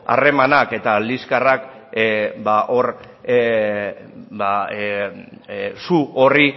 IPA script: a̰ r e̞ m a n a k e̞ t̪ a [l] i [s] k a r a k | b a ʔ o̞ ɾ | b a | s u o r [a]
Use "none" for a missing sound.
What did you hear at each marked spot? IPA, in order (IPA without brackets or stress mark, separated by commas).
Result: l, s, i